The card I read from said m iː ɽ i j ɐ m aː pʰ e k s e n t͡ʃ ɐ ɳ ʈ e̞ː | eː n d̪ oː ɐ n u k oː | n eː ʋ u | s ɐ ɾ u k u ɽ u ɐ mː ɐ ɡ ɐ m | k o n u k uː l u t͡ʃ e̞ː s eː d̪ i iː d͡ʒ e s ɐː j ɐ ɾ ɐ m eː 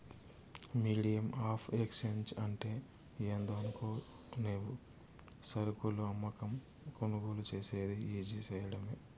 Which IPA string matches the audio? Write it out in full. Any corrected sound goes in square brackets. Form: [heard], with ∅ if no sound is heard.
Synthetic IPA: m iː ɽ i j ɐ m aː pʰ e k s e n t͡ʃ ɐ ɳ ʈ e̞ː | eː n d̪ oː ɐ n u k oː | n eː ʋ u | s ɐ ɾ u k u [l] u ɐ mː ɐ [k] ɐ m | k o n u [ɡ] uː l u t͡ʃ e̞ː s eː d̪ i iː d͡ʒ [i] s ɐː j ɐ [ɽ] ɐ m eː